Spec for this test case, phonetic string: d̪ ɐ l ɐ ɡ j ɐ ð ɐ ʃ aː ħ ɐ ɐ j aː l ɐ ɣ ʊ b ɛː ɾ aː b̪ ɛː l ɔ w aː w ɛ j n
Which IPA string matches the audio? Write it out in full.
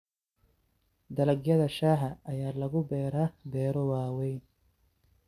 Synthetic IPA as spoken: d̪ ɐ l ɐ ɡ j ɐ ð ɐ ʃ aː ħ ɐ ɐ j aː l ɐ ɣ ʊ b ɛː ɾ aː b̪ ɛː ɾ ɔ w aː w ɛ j n